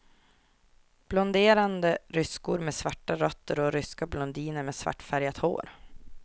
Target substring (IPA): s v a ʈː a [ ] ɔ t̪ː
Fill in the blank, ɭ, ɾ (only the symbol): ɾ